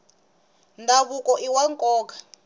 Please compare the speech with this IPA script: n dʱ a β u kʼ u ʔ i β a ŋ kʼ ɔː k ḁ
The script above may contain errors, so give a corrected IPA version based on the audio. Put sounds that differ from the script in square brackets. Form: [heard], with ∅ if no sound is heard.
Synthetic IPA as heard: n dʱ a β u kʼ [ɔ] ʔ i [w] a ŋ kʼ ɔː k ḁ